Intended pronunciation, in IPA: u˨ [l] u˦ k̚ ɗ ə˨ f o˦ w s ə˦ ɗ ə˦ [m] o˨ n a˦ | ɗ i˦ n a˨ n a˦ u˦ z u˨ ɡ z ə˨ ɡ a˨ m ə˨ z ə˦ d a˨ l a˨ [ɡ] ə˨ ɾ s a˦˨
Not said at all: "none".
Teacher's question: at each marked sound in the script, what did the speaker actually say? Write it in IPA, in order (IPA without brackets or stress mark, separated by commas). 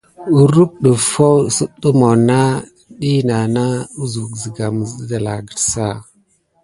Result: ɾ, m, ɡ